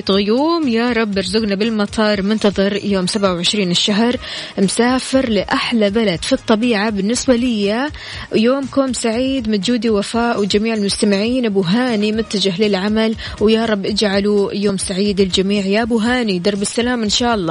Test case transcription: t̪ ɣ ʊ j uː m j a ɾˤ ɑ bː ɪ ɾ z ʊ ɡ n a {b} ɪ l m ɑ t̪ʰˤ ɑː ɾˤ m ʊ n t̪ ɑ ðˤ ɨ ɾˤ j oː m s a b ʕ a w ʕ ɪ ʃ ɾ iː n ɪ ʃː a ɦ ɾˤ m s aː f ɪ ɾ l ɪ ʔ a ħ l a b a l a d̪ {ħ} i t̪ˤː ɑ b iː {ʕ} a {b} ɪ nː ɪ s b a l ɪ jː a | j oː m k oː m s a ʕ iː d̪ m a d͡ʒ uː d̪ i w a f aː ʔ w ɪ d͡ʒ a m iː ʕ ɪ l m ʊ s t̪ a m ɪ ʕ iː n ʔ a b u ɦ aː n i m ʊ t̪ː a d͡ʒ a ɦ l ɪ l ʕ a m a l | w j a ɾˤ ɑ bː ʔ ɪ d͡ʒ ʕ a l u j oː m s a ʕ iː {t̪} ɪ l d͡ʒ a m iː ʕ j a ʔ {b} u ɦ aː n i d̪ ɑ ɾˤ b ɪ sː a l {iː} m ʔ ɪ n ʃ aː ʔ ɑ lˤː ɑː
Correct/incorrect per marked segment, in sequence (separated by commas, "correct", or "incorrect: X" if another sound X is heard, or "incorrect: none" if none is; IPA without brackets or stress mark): correct, incorrect: f, correct, correct, incorrect: d̪, correct, incorrect: aː